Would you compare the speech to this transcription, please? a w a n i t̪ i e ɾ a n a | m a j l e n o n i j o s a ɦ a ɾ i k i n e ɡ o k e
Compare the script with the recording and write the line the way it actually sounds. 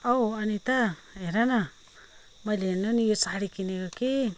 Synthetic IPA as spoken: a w a n i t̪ a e ɾ a n a | m a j l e n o n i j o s a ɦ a ɾ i k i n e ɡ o k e